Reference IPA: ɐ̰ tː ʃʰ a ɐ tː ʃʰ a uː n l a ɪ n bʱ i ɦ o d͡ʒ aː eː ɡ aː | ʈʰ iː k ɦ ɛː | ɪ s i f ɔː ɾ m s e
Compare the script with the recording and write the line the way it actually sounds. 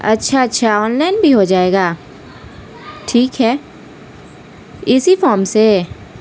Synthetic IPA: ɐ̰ tː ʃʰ a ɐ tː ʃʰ a ɔː n l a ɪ n bʱ i ɦ o d͡ʒ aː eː ɡ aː | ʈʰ iː k ɦ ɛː | ɪ s i f ɔː ɾ m s e